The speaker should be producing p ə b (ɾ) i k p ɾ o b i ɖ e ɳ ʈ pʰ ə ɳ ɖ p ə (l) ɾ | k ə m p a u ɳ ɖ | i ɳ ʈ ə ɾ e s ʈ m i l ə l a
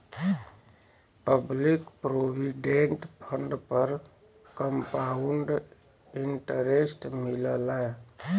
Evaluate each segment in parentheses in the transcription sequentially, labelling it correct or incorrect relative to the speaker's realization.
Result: incorrect: l, incorrect: none

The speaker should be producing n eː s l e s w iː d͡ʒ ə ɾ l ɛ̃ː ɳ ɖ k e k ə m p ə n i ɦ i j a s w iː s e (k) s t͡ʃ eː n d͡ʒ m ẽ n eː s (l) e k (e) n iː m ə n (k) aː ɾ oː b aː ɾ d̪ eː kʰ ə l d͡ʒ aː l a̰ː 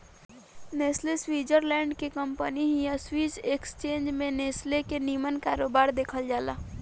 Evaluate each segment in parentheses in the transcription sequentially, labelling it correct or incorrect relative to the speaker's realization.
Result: correct, correct, correct, correct

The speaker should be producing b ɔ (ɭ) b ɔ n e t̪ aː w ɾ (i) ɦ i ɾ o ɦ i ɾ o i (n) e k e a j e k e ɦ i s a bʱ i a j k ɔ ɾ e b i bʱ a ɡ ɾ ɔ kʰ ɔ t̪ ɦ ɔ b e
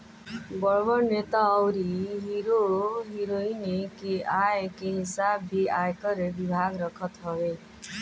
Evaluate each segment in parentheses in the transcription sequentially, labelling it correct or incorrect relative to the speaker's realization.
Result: correct, correct, correct

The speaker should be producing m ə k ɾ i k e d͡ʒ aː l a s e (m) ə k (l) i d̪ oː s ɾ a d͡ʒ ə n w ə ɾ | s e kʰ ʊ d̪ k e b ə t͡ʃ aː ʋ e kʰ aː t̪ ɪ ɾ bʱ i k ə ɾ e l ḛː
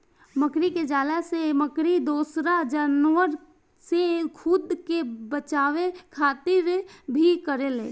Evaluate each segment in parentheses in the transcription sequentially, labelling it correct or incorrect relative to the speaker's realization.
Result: correct, incorrect: ɾ

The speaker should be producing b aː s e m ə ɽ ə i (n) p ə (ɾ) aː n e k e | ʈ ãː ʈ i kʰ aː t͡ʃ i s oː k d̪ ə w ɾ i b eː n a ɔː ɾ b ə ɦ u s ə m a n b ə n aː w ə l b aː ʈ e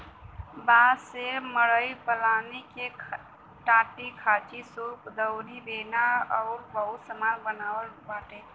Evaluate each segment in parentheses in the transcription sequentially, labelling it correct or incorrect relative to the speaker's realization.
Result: incorrect: none, incorrect: l

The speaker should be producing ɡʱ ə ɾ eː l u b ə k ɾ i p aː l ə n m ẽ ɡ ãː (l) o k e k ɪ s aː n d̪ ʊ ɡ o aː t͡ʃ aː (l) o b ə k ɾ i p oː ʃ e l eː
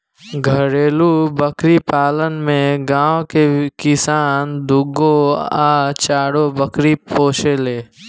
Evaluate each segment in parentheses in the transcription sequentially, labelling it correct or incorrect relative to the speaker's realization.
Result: incorrect: none, incorrect: ɽ

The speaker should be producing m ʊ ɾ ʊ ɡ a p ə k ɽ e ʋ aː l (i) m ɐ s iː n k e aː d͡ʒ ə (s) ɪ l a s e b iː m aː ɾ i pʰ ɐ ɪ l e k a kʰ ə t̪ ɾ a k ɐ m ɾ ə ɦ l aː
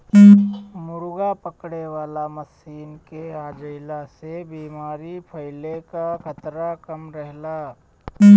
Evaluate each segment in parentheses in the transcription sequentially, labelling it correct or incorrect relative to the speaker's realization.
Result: incorrect: a, incorrect: none

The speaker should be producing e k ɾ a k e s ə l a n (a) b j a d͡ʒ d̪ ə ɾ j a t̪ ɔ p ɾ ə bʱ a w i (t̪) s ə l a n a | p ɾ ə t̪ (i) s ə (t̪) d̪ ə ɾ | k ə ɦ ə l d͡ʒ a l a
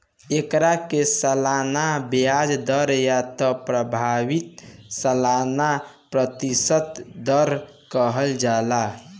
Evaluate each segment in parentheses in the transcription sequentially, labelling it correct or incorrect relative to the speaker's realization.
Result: correct, correct, correct, correct

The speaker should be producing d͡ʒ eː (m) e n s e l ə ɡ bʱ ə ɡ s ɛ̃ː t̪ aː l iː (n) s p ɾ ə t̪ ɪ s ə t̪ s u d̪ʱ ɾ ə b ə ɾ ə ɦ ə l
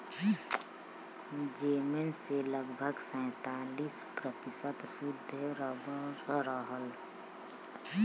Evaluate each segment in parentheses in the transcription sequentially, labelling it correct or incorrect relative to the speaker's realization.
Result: correct, incorrect: none

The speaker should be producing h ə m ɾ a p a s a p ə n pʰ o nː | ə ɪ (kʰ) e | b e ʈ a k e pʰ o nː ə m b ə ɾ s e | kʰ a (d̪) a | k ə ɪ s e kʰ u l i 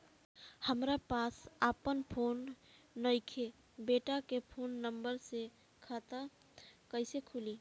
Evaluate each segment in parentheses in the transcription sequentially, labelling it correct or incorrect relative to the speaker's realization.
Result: correct, incorrect: t̪

